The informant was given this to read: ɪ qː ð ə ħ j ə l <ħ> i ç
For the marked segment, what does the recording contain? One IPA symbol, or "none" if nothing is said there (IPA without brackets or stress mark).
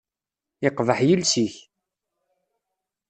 s